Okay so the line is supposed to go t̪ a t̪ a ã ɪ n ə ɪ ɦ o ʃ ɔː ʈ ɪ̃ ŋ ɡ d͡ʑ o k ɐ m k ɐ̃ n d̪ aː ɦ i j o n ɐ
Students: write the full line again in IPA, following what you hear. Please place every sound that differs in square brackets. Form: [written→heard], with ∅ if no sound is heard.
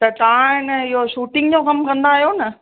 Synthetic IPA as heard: t̪ [a→ɐ] t̪ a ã ɪ n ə ɪ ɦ o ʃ [ɔː→uː] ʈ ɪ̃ ŋ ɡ d͡ʑ o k ɐ m k ɐ̃ n d̪ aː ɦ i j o n ɐ

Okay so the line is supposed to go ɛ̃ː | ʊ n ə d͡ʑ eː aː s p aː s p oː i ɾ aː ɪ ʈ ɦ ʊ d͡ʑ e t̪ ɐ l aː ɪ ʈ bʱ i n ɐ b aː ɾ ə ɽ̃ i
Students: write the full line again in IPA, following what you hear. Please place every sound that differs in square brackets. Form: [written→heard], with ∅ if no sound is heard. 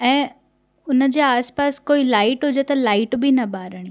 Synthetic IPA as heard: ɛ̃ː | ʊ n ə d͡ʑ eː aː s p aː s [p→k] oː i [ɾ→l] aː ɪ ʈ ɦ ʊ d͡ʑ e t̪ ɐ l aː ɪ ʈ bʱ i n ɐ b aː ɾ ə ɽ̃ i

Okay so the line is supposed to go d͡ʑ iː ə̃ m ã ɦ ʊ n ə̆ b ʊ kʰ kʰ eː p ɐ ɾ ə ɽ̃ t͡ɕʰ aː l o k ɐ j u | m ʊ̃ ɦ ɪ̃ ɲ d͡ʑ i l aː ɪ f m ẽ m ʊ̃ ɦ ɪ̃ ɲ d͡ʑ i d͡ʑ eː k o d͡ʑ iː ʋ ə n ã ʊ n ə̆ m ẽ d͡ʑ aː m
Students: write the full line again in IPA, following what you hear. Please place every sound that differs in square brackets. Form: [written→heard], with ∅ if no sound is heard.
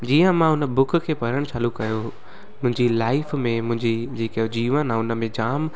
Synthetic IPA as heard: d͡ʑ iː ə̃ m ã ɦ ʊ n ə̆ b ʊ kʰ kʰ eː p ɐ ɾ ə ɽ̃ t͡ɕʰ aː l [o→u] k ɐ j [u→o] | m ʊ̃ ɦ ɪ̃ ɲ d͡ʑ i l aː ɪ f m ẽ m ʊ̃ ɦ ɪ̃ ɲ d͡ʑ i d͡ʑ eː k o d͡ʑ iː ʋ ə n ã ʊ n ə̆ m ẽ d͡ʑ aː m

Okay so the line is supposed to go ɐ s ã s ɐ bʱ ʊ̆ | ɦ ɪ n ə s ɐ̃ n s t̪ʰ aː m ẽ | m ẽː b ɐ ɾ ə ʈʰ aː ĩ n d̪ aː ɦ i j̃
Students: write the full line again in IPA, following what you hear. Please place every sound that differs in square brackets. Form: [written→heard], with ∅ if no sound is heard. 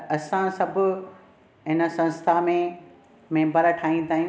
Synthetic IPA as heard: ɐ s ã s ɐ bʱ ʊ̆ | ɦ ɪ n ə s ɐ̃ n s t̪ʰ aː m ẽ | m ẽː b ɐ ɾ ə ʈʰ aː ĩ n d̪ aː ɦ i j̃

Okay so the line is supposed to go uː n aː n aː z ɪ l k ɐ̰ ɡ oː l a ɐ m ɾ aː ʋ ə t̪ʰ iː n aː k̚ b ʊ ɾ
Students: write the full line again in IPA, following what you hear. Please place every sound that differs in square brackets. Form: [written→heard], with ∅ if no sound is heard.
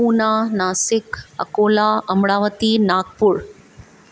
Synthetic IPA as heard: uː n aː n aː [z→s] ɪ [l→∅] k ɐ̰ [ɡ→k] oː l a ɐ m [ɾ→ɽ] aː ʋ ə [t̪ʰ→t̪] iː n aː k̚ [b→p] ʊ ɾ

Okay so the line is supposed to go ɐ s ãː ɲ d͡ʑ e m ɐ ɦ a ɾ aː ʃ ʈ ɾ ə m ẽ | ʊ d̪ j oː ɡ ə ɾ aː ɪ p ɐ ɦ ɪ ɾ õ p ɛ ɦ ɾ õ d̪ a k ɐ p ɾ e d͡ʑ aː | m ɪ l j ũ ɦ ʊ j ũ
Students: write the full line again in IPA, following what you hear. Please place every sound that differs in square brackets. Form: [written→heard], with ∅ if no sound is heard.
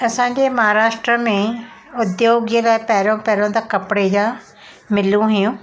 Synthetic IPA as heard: ɐ s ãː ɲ d͡ʑ e m ɐ ɦ a ɾ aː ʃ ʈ ɾ ə m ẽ | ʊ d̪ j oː ɡ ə [ɾ→l] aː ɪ p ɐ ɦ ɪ ɾ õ p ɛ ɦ ɾ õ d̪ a k ɐ p [ɾ→ɽ] e d͡ʑ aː | m ɪ l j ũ ɦ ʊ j ũ

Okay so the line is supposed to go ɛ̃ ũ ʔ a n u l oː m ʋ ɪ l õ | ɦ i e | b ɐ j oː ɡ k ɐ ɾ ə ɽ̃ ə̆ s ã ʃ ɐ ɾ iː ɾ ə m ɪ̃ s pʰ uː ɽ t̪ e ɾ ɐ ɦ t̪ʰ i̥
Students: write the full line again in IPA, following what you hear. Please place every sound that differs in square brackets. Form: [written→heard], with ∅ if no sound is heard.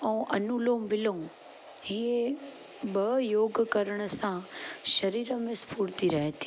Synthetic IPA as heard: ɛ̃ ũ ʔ [a→ɐ] n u l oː m ʋ ɪ l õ | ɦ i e | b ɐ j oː ɡ k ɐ ɾ ə ɽ̃ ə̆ s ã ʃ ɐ ɾ iː ɾ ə m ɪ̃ s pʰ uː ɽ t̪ [e→i] ɾ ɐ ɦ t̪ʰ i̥

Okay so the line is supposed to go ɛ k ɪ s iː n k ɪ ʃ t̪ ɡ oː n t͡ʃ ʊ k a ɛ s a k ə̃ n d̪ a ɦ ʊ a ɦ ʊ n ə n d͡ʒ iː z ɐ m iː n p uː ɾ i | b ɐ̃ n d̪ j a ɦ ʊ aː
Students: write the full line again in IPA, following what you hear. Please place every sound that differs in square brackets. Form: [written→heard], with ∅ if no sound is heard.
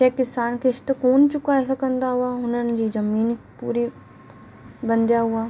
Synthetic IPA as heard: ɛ k ɪ s [iː→aː] n k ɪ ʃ t̪ [ɡ→k] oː n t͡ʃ ʊ k a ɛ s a k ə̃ n d̪ a ɦ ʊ a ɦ ʊ n ə n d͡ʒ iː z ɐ m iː n p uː ɾ i | b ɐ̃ n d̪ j a ɦ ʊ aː

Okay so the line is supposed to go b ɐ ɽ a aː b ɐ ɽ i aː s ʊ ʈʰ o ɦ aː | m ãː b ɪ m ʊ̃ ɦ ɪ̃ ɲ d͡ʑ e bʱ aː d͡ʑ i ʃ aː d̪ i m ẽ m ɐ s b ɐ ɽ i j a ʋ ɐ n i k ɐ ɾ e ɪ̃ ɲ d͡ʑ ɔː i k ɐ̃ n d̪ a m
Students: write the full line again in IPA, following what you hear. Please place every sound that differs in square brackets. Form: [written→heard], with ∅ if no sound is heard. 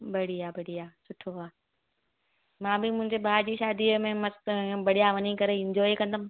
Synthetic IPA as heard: b ɐ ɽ [a→i] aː b ɐ ɽ i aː s ʊ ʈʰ o ɦ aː | m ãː b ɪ m ʊ̃ ɦ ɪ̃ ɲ d͡ʑ e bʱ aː d͡ʑ i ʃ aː d̪ i m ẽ m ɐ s b ɐ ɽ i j a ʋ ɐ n i k ɐ ɾ e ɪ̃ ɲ d͡ʑ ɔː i k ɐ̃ n d̪ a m

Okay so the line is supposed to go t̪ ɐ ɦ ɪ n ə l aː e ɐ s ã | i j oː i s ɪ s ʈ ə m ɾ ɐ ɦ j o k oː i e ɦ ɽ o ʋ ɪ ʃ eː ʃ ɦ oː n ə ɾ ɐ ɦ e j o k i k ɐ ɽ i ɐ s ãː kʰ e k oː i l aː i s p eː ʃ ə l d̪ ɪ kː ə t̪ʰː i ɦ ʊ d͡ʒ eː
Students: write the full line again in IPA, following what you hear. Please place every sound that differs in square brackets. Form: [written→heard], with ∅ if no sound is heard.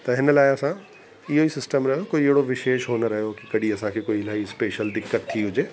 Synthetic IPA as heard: t̪ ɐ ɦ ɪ n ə l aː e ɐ s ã | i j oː i s ɪ s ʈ ə m ɾ ɐ ɦ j o k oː i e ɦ ɽ o ʋ ɪ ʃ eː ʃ ɦ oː n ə ɾ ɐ ɦ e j o k i k ɐ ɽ i ɐ s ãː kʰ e k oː i l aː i s p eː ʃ ə l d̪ ɪ kː ə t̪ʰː i ɦ ʊ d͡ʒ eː

